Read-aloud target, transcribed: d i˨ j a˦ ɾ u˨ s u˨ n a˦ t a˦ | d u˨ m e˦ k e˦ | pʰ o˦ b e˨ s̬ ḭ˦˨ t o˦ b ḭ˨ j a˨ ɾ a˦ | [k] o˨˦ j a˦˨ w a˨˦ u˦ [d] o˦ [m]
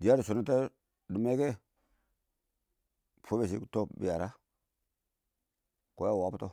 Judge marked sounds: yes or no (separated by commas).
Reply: yes, no, no